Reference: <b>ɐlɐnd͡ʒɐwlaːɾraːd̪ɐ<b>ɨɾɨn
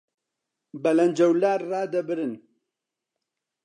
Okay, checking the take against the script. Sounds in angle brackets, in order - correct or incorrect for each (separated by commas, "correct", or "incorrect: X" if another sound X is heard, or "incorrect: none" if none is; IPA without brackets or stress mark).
correct, correct